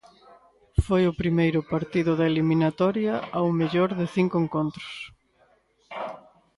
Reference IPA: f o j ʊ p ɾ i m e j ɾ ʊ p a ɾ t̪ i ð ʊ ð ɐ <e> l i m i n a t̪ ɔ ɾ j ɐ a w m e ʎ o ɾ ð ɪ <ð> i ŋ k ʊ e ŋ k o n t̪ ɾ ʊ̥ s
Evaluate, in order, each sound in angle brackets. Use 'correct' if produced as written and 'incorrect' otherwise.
correct, incorrect

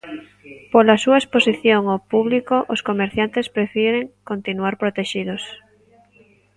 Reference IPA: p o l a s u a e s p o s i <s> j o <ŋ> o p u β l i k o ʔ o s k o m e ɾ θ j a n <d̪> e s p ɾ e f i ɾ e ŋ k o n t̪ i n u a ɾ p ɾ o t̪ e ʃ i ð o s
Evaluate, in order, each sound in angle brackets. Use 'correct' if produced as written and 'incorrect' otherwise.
incorrect, correct, incorrect

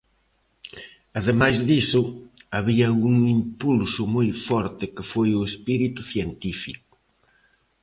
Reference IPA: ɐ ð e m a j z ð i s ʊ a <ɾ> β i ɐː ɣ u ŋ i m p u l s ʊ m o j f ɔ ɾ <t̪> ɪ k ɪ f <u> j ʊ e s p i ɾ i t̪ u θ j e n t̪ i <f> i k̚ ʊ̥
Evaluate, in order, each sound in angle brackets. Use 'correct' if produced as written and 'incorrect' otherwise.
incorrect, correct, incorrect, correct

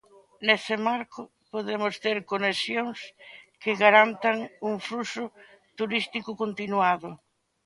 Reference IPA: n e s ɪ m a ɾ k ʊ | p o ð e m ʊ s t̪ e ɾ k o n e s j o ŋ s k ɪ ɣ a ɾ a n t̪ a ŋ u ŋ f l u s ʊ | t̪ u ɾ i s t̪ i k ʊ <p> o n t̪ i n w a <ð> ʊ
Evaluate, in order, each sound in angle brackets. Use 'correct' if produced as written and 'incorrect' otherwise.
incorrect, correct

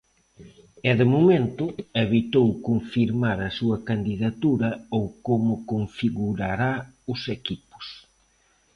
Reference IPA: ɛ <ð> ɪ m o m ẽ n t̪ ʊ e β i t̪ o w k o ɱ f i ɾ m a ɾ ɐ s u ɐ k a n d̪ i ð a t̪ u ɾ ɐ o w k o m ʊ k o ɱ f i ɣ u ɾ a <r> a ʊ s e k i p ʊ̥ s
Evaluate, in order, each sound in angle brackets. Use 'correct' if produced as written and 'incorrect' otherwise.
correct, incorrect

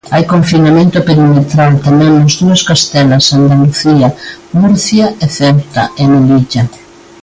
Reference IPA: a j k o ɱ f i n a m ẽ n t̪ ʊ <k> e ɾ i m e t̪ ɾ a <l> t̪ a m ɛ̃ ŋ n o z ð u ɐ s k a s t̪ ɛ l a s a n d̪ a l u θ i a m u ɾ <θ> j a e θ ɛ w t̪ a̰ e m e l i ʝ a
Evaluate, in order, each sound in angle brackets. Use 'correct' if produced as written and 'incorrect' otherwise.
incorrect, correct, correct

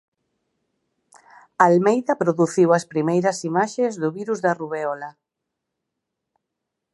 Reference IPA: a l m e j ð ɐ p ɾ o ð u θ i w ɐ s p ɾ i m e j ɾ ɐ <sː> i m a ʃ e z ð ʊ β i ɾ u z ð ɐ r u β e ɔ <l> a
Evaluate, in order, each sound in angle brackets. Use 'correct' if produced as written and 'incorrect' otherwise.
incorrect, correct

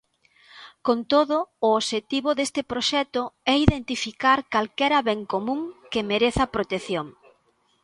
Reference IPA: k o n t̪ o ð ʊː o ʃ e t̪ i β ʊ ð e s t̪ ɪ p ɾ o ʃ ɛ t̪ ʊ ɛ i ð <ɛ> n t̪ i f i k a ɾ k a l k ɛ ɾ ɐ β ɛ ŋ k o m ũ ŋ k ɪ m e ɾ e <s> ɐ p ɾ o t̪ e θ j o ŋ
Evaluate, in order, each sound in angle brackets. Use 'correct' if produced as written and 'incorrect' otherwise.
incorrect, incorrect

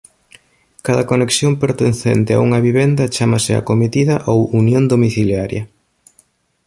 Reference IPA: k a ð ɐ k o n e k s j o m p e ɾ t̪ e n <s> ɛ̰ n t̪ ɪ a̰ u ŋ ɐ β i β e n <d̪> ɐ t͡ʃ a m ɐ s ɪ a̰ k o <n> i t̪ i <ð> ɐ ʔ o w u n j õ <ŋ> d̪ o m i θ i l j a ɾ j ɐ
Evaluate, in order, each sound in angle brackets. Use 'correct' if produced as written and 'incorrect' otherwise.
incorrect, correct, incorrect, correct, incorrect

